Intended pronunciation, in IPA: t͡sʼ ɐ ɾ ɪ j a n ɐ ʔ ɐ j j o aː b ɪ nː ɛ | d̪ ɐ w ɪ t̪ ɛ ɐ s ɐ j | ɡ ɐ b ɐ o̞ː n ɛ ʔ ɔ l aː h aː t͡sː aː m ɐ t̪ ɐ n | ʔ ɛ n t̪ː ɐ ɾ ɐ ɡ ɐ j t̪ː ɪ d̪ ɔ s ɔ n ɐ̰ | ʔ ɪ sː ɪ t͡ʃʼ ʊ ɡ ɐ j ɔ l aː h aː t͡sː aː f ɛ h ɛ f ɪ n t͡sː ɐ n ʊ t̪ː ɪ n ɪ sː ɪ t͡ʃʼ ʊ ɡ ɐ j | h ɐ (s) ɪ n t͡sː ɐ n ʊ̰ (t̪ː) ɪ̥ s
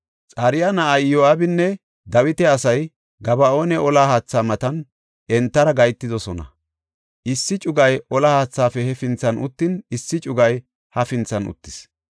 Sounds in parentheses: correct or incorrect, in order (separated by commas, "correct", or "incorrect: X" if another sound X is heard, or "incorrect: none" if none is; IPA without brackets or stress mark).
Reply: incorrect: f, correct